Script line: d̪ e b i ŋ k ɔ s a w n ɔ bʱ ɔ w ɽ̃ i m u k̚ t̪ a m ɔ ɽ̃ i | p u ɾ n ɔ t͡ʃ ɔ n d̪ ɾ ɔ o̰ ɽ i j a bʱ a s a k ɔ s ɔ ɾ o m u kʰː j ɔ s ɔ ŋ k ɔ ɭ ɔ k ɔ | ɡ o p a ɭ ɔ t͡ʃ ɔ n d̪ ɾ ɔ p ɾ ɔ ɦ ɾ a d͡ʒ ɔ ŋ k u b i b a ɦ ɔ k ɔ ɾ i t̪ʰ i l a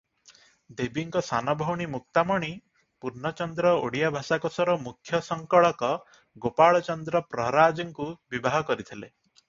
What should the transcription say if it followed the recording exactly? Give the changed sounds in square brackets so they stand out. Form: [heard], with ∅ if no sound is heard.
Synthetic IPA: d̪ e b i ŋ k ɔ s a [∅] n ɔ bʱ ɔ w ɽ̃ i m u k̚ t̪ a m ɔ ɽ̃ i | p u ɾ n ɔ t͡ʃ ɔ n d̪ ɾ ɔ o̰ ɽ i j a bʱ a s a k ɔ s ɔ ɾ [ɔ] m u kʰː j ɔ s ɔ ŋ k ɔ ɭ ɔ k ɔ | ɡ o p a ɭ ɔ t͡ʃ ɔ n d̪ ɾ ɔ p ɾ ɔ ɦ ɾ a d͡ʒ ɔ ŋ k u b i b a ɦ ɔ k ɔ ɾ i t̪ʰ i l [e]